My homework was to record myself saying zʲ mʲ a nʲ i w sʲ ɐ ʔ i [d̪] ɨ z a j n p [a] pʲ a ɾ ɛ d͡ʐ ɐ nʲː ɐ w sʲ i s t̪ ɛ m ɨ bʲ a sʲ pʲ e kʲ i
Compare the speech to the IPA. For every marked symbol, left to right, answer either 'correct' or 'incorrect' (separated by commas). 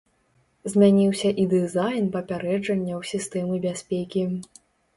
correct, incorrect